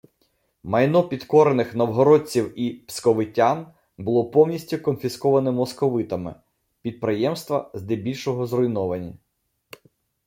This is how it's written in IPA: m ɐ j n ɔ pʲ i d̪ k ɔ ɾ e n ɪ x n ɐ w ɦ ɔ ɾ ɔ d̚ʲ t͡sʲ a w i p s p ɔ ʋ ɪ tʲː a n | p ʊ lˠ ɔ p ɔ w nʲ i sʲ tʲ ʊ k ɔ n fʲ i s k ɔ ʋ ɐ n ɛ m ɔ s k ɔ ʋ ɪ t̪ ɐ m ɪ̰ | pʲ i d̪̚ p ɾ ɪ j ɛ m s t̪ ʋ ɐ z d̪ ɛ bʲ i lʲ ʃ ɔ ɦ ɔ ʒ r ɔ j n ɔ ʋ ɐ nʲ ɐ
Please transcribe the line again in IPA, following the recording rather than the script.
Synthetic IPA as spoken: m ɐ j n ɔ pʲ i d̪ k ɔ ɾ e n ɪ x n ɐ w ɦ ɔ ɾ ɔ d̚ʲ t͡sʲ i w i p s k ɔ ʋ ɪ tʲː a n | b ʊ lˠ ɔ p ɔ w nʲ i sʲ tʲ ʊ k ɔ n fʲ i s k ɔ ʋ ɐ n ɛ m ɔ s k ɔ ʋ ɪ t̪ ɐ m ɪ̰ | pʲ i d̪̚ p ɾ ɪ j ɛ m s t̪ ʋ ɐ z d̪ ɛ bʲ i lʲ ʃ ɔ ɦ ɔ z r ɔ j n ɔ ʋ ɐ nʲ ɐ